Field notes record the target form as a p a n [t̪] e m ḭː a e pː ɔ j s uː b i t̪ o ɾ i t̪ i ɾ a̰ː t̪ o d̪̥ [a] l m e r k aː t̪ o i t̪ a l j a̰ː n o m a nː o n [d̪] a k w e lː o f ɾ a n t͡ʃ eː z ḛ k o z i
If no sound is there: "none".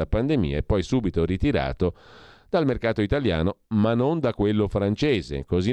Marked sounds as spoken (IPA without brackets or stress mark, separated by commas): d̪, a, d̪